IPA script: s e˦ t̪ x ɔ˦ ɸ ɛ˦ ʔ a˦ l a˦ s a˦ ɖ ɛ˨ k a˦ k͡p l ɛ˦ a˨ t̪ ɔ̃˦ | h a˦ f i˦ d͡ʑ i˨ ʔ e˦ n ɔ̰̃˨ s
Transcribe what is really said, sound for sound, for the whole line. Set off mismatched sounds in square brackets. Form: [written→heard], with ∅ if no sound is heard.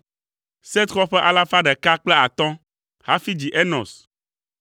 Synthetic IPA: s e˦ t̪ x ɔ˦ ɸ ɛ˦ ʔ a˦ l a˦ [s→f] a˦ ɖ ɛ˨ k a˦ k͡p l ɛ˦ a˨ t̪ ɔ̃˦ | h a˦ f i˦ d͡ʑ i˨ ʔ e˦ n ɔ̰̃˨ s